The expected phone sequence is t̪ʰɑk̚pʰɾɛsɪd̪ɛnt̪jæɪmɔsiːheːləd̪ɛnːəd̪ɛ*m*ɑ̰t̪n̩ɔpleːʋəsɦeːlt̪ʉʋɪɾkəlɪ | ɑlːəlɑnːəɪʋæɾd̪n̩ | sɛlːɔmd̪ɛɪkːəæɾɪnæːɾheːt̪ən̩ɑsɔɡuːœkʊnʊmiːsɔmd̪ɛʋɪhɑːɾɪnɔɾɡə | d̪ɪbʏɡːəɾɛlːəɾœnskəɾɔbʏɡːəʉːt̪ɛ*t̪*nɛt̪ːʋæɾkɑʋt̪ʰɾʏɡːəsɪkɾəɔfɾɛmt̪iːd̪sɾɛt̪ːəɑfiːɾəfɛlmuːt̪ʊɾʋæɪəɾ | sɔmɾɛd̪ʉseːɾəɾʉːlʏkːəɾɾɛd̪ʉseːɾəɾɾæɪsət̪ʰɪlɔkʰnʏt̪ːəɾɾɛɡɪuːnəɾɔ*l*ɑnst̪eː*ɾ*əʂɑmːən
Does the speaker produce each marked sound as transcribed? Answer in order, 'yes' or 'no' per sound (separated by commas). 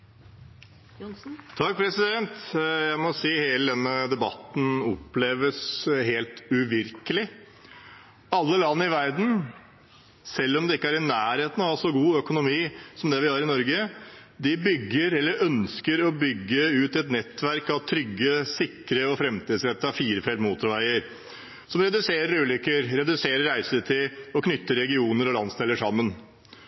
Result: no, yes, yes, no